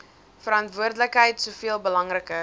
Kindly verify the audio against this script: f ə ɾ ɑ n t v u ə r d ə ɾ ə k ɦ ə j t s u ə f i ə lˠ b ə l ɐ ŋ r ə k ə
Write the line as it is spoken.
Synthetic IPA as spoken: f ə ɾ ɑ n t v u ə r d ə l ə k ɦ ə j t s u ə f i ə lˠ b ə l ɐ ŋ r ə k ə